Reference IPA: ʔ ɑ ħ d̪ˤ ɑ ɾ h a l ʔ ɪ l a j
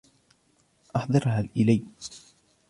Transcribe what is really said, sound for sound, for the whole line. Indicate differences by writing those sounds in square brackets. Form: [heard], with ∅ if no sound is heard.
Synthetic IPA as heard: ʔ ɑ ħ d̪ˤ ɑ ɾ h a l ʔ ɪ l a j